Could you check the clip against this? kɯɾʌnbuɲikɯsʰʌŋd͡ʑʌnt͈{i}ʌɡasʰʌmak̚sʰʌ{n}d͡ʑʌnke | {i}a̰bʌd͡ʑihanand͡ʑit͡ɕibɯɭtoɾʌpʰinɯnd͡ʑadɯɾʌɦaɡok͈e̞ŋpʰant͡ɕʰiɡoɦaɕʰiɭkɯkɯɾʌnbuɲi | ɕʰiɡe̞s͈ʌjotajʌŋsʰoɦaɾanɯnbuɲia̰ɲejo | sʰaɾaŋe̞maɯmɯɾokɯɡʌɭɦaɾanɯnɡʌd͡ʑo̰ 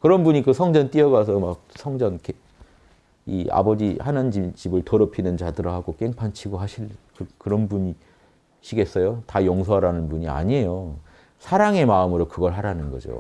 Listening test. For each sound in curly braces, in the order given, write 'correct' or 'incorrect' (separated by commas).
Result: correct, incorrect, correct